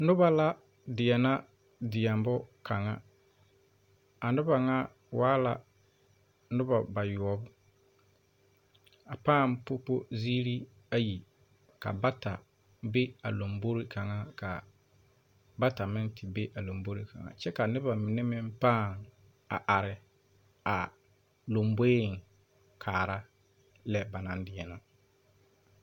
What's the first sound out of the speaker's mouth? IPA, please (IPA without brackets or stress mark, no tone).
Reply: n